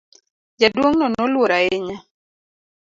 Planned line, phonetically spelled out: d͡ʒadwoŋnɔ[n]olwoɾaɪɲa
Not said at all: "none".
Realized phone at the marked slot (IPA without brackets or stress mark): n